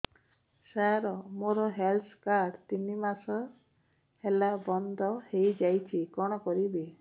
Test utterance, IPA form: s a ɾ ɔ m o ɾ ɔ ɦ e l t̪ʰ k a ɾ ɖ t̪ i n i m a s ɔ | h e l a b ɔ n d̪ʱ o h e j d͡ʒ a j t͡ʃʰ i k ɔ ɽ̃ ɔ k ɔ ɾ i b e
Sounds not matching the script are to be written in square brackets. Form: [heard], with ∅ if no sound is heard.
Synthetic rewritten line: s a ɾ ɔ m o ɾ ɔ ɦ e l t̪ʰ k a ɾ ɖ t̪ i n i m a s ɔ | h e l a b ɔ n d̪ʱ [ɔ] h e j d͡ʒ a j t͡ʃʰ i k ɔ ɽ̃ ɔ k ɔ ɾ i b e